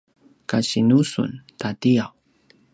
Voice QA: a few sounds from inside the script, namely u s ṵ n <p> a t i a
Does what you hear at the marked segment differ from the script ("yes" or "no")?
yes